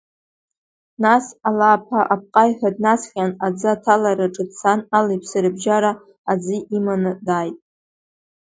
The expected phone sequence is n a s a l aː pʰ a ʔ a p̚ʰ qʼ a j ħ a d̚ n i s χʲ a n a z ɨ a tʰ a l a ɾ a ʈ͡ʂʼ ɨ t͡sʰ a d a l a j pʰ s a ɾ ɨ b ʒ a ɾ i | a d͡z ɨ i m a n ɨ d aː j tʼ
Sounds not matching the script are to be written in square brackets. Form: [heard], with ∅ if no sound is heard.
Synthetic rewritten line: n a s a l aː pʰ a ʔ a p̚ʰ qʼ a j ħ a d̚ n [a] s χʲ a n a [d͡z] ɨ a tʰ a l a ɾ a ʈ͡ʂʼ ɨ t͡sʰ a [n] a l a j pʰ s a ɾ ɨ b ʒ a ɾ [a] | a d͡z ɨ i m a n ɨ d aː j tʼ